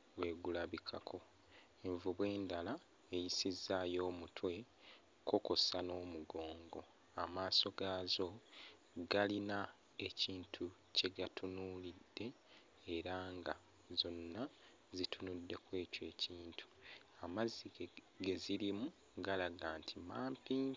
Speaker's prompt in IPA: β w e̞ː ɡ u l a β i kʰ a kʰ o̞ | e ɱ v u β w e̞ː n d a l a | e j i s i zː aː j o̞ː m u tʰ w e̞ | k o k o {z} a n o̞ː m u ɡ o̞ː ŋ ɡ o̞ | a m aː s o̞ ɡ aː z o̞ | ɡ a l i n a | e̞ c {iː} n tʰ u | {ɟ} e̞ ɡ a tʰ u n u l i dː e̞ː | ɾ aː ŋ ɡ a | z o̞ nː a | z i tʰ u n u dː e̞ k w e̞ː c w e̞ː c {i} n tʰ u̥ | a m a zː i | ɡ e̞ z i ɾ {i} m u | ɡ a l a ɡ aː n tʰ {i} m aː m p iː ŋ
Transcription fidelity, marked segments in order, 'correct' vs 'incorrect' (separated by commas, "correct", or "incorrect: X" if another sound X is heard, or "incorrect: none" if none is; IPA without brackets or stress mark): incorrect: s, correct, incorrect: c, incorrect: iː, correct, correct